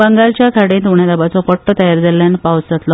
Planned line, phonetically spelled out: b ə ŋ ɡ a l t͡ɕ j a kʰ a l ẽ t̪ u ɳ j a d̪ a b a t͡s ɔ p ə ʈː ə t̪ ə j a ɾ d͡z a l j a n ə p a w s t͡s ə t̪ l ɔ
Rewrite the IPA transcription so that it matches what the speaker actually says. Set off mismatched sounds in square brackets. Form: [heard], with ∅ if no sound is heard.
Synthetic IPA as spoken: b ə ŋ ɡ a l t͡ɕ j a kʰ a [ɽ] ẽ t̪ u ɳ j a d̪ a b a t͡s ɔ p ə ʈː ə t̪ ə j a ɾ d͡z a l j a n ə p a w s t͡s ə t̪ l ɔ